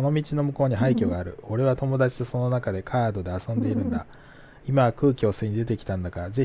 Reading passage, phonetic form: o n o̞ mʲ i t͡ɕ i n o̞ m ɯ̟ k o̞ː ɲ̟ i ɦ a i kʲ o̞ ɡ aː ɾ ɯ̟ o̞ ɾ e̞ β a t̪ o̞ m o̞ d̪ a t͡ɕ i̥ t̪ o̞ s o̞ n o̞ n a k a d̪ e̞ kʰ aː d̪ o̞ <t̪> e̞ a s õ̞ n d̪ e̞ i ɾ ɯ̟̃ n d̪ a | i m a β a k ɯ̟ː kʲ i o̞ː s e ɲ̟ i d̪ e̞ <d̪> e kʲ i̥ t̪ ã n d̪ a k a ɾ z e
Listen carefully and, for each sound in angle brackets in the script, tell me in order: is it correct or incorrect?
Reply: incorrect: d̪, incorrect: t̪

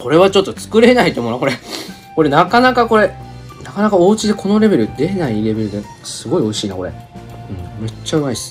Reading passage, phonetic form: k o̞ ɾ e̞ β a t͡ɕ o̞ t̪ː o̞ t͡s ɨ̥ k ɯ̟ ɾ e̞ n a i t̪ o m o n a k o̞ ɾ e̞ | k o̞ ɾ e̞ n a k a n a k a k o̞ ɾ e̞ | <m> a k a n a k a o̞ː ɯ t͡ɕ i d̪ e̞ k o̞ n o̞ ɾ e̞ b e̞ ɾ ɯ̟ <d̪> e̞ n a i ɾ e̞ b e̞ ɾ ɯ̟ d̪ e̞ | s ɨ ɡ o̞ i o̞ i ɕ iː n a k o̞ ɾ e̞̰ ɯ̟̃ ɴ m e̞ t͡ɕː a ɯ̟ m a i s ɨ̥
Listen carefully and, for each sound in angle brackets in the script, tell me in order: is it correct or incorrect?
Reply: incorrect: n, correct

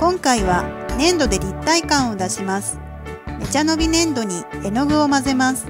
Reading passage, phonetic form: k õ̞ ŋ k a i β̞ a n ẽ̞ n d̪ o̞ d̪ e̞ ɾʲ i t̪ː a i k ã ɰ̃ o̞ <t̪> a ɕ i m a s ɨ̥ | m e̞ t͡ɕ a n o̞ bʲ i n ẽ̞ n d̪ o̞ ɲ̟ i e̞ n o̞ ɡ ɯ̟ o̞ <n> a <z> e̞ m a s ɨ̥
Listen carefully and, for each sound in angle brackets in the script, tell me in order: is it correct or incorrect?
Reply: incorrect: d̪, incorrect: m, correct

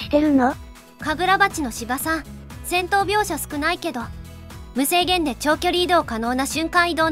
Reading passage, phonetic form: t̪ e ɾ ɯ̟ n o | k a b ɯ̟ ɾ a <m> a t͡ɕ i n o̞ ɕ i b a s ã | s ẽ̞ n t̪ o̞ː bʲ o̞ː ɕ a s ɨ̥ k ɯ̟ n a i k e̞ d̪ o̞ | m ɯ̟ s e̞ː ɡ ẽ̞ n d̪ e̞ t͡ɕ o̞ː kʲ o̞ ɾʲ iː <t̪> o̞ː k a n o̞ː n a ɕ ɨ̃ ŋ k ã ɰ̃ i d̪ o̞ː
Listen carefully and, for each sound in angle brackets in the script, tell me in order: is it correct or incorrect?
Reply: incorrect: b, incorrect: d̪

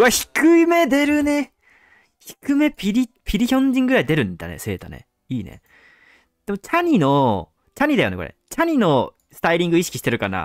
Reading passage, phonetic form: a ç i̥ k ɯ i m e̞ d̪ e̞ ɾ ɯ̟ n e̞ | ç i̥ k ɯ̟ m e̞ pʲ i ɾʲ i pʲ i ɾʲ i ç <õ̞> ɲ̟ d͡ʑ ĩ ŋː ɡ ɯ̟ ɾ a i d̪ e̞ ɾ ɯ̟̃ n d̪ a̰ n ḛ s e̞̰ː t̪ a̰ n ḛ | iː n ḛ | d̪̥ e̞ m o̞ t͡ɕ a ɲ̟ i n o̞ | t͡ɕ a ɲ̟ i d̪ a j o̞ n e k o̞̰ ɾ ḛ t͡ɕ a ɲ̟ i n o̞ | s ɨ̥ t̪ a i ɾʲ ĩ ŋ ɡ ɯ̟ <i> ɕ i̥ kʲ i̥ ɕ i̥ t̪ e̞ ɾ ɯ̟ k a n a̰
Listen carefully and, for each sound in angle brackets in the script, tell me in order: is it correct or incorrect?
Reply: correct, correct

